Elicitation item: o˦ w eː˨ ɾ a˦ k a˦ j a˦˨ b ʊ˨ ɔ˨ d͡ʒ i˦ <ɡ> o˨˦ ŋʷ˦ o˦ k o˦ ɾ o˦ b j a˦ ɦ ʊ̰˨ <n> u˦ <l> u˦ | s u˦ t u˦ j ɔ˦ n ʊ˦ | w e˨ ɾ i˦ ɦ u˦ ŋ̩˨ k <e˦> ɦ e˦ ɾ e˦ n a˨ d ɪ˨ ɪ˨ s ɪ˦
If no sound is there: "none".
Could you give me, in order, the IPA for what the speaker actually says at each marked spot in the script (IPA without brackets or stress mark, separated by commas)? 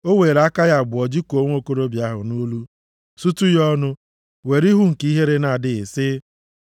k, n, l, i˦